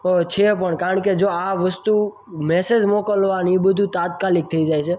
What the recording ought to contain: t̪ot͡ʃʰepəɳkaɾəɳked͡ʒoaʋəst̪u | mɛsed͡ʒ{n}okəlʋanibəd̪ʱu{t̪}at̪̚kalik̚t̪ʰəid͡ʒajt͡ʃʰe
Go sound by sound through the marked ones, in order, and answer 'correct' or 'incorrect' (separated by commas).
incorrect, correct